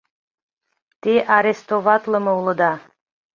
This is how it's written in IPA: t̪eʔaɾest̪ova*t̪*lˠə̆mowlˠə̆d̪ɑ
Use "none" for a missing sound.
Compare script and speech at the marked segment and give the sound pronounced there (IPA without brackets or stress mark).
t̪